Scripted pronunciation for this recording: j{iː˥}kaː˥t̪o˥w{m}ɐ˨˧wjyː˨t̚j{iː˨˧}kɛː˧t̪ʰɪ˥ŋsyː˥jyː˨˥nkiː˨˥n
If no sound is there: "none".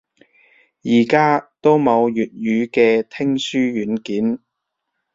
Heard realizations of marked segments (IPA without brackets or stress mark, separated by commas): iː˨˩, m, yː˨˧